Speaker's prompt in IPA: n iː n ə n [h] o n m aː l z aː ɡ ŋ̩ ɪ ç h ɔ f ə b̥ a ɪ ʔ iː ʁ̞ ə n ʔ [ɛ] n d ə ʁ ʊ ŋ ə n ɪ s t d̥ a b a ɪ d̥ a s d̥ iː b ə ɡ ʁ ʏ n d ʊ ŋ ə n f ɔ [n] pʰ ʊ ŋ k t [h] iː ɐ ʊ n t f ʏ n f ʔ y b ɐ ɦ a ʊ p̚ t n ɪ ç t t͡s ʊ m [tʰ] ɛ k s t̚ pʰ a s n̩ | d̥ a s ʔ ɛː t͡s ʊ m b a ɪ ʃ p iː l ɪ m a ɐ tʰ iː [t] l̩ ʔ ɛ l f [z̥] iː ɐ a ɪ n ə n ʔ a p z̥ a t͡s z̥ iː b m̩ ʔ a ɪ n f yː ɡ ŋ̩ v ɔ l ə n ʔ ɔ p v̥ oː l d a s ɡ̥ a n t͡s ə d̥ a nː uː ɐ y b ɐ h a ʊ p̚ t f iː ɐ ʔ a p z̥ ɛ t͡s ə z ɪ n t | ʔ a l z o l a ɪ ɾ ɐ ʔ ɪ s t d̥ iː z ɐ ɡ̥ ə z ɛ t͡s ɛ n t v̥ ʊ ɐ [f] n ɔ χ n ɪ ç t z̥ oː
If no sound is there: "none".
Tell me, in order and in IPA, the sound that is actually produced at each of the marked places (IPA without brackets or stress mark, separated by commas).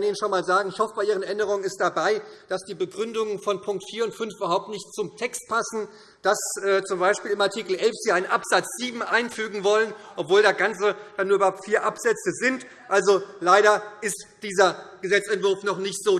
ʃ, ɛ, n, f, tʰ, k, z̥, f